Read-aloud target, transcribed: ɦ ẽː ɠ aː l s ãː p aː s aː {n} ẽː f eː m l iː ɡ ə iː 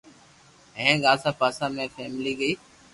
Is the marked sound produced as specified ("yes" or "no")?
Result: no